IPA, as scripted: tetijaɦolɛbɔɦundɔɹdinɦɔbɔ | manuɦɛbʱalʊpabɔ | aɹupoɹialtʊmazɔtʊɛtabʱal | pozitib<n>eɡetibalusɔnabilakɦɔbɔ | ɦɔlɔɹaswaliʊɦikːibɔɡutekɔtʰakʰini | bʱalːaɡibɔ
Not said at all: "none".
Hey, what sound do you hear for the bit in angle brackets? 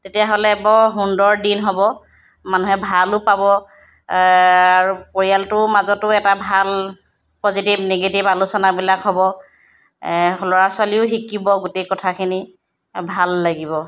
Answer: n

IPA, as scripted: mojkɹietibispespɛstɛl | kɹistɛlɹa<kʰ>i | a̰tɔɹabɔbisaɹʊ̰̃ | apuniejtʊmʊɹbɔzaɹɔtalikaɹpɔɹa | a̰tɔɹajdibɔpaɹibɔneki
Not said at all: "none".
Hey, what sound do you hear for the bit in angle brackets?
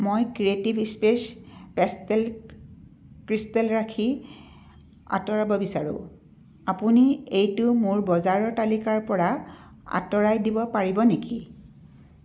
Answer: kʰ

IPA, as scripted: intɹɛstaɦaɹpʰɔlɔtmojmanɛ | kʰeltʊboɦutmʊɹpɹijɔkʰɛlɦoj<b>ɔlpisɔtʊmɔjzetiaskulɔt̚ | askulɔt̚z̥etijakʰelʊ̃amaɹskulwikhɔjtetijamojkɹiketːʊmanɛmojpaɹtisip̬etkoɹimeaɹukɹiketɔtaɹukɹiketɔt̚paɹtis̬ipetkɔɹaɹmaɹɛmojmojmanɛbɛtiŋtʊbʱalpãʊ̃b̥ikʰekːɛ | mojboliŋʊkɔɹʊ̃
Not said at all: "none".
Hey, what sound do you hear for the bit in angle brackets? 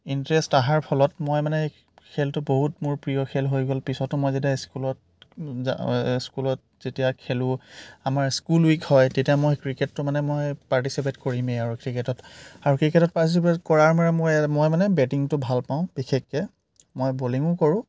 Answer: ɡ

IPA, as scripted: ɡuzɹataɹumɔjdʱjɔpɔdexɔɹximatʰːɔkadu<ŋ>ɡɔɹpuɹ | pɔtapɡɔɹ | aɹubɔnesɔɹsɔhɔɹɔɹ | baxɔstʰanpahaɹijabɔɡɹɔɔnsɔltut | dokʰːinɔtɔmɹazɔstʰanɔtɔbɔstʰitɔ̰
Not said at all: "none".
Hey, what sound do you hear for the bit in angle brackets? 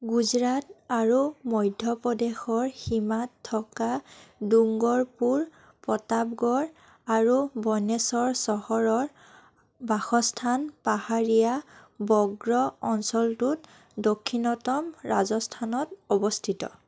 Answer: ŋ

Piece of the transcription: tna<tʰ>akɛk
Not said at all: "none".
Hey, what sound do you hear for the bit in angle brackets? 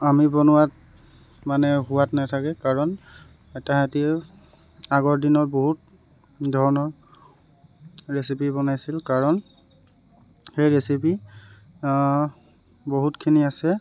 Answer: tʰ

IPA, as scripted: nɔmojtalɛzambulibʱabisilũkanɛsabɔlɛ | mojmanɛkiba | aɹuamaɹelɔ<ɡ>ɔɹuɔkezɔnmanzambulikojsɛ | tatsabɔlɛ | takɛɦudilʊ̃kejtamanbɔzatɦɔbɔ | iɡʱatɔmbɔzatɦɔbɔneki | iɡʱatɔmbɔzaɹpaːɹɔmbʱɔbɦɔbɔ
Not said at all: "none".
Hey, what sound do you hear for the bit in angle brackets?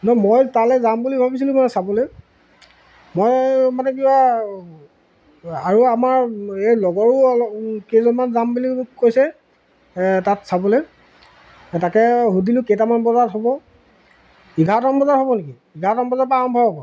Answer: ɡ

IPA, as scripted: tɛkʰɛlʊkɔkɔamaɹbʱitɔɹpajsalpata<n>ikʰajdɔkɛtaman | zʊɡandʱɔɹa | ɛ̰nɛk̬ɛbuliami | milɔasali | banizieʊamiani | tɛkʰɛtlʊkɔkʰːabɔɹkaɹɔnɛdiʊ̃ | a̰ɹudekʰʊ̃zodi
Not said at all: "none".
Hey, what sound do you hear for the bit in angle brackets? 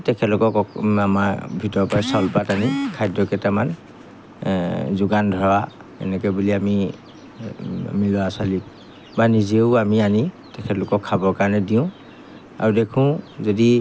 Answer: n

